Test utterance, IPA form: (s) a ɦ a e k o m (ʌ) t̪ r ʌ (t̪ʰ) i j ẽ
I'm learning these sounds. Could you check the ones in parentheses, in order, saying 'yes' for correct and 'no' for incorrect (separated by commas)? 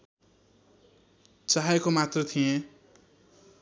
no, no, yes